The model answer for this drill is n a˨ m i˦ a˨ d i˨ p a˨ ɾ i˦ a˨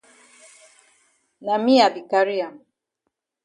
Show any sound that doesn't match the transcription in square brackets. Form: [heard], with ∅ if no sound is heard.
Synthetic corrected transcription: n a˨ m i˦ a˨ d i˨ [k] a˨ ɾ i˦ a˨

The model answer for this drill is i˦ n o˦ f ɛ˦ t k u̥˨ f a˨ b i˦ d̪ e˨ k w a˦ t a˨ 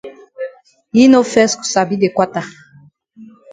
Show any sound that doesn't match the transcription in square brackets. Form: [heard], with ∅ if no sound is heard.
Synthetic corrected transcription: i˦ n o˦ f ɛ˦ [s] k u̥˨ [s] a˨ b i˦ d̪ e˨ k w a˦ t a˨

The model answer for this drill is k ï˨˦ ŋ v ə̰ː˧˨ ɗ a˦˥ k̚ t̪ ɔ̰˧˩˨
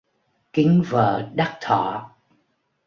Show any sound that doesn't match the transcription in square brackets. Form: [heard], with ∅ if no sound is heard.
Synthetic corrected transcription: k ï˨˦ ŋ v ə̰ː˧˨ ɗ a˦˥ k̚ [t̪ʰ] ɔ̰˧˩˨

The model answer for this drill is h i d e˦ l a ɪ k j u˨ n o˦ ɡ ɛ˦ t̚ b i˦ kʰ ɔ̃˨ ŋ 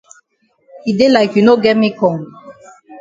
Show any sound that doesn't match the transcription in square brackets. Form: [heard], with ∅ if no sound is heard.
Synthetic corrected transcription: h i d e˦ l a ɪ k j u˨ n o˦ ɡ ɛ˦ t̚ [m] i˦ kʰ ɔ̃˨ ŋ

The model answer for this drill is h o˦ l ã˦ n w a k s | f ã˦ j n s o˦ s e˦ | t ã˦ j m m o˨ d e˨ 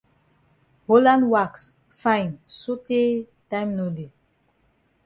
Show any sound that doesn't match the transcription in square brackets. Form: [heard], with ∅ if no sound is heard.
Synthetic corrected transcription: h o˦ l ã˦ n w a k s | f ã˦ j n s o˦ [t] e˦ | t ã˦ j m [n] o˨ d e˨

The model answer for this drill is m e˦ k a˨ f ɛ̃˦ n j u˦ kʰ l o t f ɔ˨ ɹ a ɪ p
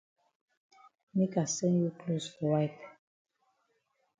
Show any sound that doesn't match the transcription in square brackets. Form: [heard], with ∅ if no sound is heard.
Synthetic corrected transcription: m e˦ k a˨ [s] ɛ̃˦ n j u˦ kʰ l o [s] f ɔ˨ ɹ a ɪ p

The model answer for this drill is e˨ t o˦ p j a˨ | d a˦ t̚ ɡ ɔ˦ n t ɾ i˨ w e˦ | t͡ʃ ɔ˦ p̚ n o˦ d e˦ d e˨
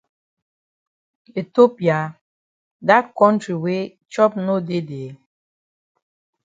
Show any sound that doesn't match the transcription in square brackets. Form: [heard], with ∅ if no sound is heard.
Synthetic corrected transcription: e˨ t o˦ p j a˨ | d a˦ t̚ [k] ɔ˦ n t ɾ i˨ w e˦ | t͡ʃ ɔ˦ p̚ n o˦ d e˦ d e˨

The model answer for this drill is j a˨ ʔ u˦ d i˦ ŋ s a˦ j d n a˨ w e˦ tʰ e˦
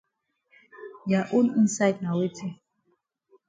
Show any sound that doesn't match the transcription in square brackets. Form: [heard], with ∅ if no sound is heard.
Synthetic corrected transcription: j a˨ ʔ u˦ [n] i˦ [n] s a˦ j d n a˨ w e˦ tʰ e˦

